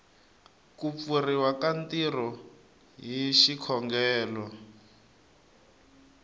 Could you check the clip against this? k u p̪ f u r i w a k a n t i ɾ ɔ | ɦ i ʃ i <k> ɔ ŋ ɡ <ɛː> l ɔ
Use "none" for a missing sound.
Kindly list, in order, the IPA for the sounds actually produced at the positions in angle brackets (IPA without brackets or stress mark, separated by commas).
kʰ, ɛː